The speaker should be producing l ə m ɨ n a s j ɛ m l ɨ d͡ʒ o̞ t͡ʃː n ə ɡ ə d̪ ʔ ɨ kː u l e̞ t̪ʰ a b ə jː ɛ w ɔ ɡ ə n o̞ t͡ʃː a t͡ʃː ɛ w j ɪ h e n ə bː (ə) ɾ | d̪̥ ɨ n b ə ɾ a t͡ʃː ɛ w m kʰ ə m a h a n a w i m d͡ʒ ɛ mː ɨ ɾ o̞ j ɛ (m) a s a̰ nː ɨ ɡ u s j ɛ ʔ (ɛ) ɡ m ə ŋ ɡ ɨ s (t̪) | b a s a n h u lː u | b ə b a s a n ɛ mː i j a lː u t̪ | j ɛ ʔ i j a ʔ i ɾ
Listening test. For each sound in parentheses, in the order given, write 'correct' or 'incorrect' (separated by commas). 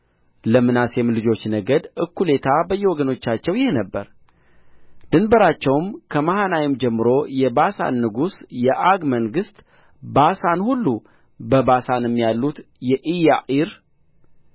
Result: correct, incorrect, incorrect, correct